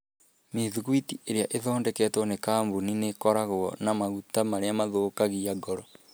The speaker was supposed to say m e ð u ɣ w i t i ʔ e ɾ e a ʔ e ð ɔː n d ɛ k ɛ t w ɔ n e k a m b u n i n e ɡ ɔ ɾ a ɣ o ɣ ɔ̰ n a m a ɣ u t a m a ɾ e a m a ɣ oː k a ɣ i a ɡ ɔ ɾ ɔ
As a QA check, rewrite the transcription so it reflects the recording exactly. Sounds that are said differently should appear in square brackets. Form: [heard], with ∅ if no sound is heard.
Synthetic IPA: m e ð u ɣ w i t i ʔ e ɾ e a ʔ e ð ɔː n d ɛ k ɛ t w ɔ n e k a m b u n i n e [k] ɔ ɾ a ɣ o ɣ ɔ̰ n a m a ɣ u t a m a ɾ e a m a [ð] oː k a ɣ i a ɡ ɔ ɾ ɔ